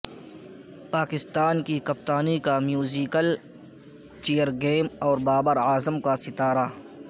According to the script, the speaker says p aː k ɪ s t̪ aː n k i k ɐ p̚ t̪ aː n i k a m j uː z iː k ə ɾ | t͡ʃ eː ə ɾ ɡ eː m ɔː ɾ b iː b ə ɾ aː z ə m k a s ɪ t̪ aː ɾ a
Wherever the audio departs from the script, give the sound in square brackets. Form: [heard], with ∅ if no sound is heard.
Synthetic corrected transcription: p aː k ɪ s t̪ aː n k i k ɐ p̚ t̪ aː n i k a m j uː z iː k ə [l] | t͡ʃ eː ə ɾ ɡ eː m ɔː ɾ b [aː] b ə ɾ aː z ə m k a s ɪ t̪ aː ɾ a